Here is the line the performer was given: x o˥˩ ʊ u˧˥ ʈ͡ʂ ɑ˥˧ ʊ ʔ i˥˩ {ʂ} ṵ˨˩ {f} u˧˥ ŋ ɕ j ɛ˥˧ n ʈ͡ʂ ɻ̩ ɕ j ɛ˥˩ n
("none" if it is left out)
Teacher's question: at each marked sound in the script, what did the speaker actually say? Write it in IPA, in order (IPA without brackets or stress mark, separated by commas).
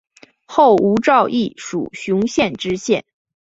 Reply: ʂ, ɕ